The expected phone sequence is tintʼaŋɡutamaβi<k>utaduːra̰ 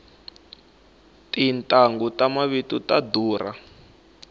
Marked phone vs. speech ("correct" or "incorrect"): incorrect